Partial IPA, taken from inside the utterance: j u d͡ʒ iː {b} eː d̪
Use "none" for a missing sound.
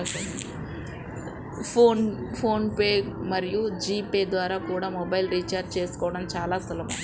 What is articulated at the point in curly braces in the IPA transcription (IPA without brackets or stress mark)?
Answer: p